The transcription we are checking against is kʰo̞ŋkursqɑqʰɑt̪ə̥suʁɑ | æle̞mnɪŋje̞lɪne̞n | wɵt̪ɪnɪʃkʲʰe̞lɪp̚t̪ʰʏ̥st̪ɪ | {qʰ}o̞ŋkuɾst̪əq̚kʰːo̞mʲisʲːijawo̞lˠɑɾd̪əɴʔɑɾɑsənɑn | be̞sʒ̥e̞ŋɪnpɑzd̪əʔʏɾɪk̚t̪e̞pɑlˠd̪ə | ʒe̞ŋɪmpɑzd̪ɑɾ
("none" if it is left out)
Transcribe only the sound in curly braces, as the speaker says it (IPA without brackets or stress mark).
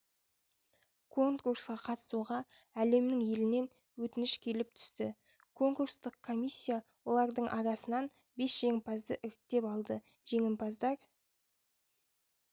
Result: kʰ